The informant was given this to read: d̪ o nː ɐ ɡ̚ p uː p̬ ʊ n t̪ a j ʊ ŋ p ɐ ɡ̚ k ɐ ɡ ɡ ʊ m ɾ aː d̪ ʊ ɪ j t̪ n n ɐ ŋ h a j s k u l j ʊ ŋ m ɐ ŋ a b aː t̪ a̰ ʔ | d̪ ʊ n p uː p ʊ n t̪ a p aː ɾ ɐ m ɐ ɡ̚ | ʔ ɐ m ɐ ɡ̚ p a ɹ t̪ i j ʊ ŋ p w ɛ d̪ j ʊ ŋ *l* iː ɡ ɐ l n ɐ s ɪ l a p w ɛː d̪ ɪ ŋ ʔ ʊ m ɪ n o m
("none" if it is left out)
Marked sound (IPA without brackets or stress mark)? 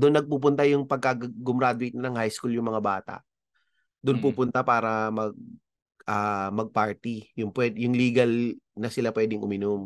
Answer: l